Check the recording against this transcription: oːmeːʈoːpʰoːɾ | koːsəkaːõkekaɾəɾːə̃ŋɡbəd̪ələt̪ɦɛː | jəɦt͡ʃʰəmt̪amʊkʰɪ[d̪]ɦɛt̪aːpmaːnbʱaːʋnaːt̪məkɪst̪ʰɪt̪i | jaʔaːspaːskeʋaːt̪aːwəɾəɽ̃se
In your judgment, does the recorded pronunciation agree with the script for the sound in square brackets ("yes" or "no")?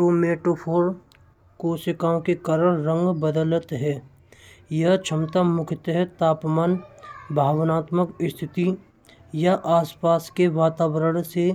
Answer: no